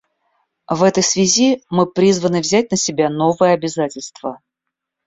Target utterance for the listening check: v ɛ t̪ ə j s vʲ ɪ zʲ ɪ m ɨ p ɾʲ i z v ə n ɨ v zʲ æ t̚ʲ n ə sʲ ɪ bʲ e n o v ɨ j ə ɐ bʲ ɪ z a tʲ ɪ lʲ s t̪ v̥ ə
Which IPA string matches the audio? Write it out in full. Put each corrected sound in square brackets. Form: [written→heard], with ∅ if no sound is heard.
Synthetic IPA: v ɛ t̪ ə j s vʲ ɪ zʲ [ɪ→i] m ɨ p ɾʲ i z v ə n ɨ v zʲ æ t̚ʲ n ə sʲ ɪ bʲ [e→a] n o v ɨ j ə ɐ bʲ ɪ z a tʲ ɪ lʲ s t̪ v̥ ə

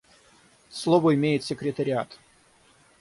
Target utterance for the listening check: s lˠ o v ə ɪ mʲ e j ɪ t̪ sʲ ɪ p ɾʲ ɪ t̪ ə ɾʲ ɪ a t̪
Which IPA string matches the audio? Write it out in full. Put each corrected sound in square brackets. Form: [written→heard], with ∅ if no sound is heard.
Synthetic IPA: s lˠ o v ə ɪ mʲ e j ɪ t̪ sʲ ɪ [p→k] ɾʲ ɪ t̪ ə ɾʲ ɪ a t̪

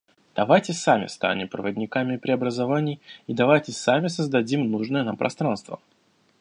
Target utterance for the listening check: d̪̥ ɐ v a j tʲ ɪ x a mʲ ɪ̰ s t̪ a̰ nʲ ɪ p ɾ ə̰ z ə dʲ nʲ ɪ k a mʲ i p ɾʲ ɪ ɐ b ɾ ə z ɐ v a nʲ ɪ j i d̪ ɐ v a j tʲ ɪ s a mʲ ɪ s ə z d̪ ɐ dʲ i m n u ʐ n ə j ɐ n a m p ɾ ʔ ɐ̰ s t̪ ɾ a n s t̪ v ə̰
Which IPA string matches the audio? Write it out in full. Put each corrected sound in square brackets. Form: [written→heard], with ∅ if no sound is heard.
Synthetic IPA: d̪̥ ɐ v a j tʲ ɪ [x→s] a mʲ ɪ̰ s t̪ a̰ nʲ ɪ p ɾ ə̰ [z→v] ə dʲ nʲ ɪ k a mʲ [i→ɪ] p ɾʲ ɪ ɐ b ɾ ə z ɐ v a nʲ ɪ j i d̪ ɐ v a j tʲ ɪ s a mʲ ɪ s ə z d̪ ɐ dʲ i m n u ʐ n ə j [ɐ→ə] n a m p ɾ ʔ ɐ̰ s t̪ ɾ a n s t̪ v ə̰

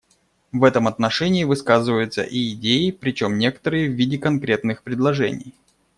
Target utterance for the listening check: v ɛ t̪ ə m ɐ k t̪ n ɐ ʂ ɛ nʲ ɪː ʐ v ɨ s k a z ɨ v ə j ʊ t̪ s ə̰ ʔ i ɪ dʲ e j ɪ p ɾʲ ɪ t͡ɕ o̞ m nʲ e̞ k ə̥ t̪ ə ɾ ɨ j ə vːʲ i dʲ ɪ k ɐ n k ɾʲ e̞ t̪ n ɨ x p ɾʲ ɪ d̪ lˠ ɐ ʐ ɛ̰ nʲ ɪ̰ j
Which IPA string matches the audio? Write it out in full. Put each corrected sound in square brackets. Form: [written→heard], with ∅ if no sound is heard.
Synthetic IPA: v ɛ t̪ ə m ɐ [k→∅] t̪ n ɐ ʂ ɛ nʲ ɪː [ʐ→∅] v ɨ s k a z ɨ v ə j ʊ t̪ s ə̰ ʔ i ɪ dʲ e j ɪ p ɾʲ ɪ t͡ɕ o̞ m nʲ e̞ k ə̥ t̪ ə ɾ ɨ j ə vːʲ i dʲ ɪ k ɐ n k ɾʲ e̞ t̪ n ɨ x p ɾʲ ɪ d̪ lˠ ɐ ʐ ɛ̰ nʲ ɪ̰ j

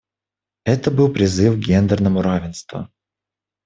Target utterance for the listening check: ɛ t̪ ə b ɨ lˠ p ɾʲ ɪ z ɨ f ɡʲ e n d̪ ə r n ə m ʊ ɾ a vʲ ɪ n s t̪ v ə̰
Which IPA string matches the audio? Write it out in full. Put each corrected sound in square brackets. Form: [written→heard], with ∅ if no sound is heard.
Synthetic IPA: ɛ t̪ ə b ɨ lˠ p ɾʲ ɪ z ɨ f ɡʲ e n d̪ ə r n ə m ʊ ɾ a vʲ ɪ n s t̪ v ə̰

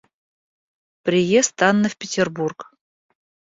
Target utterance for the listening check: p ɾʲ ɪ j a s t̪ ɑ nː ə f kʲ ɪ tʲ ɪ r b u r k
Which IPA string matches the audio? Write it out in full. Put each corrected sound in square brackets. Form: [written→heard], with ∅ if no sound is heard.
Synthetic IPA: p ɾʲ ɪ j [a→e] s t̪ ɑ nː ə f [kʲ→pʲ] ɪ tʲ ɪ r b u r k

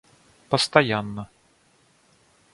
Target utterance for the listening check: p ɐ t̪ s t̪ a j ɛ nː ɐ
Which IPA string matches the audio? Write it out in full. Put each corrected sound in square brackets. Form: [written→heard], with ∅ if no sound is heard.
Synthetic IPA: p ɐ [t̪→∅] s t̪ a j [ɛ→a] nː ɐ

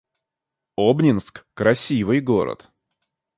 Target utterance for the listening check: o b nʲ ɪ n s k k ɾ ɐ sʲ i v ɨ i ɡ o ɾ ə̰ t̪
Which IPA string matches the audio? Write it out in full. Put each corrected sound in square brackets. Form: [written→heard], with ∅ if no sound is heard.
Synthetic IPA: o b nʲ ɪ n s k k ɾ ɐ sʲ i v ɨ [i→j] ɡ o ɾ ə̰ t̪

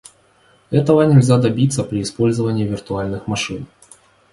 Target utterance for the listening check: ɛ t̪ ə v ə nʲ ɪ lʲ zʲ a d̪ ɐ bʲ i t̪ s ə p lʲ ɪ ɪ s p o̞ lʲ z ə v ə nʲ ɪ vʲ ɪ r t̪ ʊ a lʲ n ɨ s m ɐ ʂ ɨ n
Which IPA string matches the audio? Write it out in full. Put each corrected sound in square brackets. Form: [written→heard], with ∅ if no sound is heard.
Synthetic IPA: ɛ t̪ ə v ə nʲ ɪ lʲ zʲ a d̪ ɐ bʲ i t̪ s ə p [lʲ→ɾʲ] ɪ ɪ s p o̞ lʲ z ə v ə nʲ [ɪ→ɪː] vʲ ɪ r t̪ ʊ a lʲ n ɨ [s→x] m ɐ ʂ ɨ n

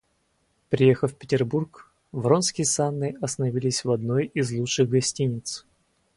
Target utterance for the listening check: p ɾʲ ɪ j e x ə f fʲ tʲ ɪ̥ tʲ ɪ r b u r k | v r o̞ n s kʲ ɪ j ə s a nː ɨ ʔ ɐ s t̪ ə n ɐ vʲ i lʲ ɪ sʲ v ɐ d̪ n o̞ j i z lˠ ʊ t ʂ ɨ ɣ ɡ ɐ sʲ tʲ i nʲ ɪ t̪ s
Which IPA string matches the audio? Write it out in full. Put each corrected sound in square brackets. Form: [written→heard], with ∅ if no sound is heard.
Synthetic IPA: p ɾʲ ɪ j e x ə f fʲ [tʲ→pʲ] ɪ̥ tʲ ɪ r b u r k | v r o̞ n s kʲ ɪ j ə s a nː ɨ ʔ ɐ s t̪ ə n ɐ vʲ i lʲ ɪ sʲ v ɐ d̪ n o̞ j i z lˠ [ʊ→u] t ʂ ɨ ɣ ɡ ɐ sʲ tʲ i nʲ ɪ t̪ s

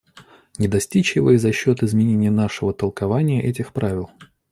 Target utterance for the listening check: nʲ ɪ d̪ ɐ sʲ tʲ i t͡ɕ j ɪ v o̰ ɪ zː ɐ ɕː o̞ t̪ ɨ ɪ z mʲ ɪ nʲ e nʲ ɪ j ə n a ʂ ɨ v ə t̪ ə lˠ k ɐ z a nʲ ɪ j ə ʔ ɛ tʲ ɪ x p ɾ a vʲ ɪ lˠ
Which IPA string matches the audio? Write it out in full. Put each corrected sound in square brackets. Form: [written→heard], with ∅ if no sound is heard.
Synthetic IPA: nʲ ɪ d̪ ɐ sʲ tʲ i t͡ɕ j ɪ v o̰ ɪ [zː→z] ɐ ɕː o̞ t̪ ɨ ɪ z mʲ ɪ nʲ e nʲ ɪ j ə n a ʂ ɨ v ə t̪ ə lˠ k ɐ [z→v] a nʲ ɪ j ə ʔ ɛ tʲ ɪ x p ɾ a vʲ ɪ lˠ

